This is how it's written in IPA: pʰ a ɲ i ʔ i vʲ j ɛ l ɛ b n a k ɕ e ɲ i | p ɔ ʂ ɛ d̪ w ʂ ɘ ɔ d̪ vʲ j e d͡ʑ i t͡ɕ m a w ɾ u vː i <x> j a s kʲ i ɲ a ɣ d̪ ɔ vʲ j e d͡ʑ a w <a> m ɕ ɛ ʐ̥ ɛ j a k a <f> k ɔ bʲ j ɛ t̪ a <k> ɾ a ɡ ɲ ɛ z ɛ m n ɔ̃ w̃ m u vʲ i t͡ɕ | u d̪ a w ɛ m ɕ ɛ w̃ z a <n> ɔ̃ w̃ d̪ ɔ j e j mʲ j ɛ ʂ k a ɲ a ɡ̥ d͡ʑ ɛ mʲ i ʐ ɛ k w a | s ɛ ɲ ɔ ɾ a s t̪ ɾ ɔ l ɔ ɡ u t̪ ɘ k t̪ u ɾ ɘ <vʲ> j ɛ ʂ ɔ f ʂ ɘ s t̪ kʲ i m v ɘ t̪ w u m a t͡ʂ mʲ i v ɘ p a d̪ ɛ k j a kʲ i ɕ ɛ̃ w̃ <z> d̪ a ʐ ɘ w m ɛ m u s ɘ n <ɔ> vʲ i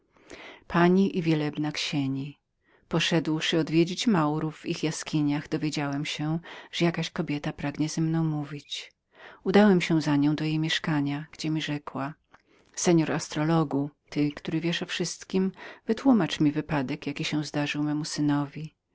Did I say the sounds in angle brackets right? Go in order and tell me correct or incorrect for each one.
correct, incorrect: ɛ, incorrect: ɕ, incorrect: p, incorrect: ɲ, correct, correct, correct

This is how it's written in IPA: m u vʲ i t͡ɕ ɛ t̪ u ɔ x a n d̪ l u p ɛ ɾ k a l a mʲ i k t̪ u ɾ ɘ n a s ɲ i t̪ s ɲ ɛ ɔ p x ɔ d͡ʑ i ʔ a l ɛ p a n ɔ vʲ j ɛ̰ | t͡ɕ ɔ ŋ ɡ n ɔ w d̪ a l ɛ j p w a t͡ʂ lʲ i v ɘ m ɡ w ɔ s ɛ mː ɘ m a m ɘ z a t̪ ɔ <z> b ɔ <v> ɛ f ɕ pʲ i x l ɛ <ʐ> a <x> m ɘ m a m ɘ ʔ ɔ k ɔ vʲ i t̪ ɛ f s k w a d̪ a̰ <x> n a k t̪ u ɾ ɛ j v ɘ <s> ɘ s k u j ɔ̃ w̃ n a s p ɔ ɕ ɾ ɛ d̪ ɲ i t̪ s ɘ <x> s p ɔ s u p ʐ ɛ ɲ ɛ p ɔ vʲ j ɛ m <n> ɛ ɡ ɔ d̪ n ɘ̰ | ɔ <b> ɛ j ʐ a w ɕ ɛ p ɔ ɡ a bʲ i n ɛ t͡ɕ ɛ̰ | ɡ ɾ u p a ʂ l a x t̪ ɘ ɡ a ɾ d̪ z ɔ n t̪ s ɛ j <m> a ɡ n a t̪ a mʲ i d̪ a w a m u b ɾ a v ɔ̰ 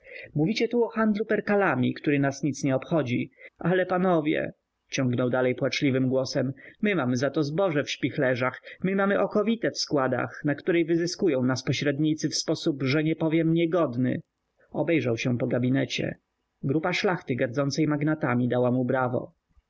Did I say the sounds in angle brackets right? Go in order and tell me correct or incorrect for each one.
correct, incorrect: ʐ, correct, correct, correct, incorrect: z, incorrect: f, incorrect: ɲ, correct, correct

